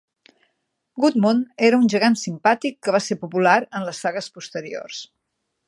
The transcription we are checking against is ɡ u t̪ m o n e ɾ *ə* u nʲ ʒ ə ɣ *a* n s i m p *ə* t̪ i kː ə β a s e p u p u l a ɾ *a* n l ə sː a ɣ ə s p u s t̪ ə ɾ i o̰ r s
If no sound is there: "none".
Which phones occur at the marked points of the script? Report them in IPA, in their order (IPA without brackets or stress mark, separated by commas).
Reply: ə, a, a, ə